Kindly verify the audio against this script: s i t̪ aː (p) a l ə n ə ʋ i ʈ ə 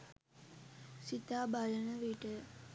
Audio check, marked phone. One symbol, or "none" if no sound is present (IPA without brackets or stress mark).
b